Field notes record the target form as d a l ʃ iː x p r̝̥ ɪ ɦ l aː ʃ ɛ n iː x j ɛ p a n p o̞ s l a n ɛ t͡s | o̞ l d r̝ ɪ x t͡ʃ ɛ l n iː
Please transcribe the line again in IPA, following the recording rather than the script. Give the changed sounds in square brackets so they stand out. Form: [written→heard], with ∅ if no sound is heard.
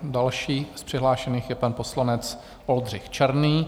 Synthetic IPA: d a l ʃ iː [x→s] p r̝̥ ɪ ɦ l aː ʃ ɛ n iː x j ɛ p a n p o̞ s l a n ɛ t͡s | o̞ l d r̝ ɪ x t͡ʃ ɛ [l→ɾ] n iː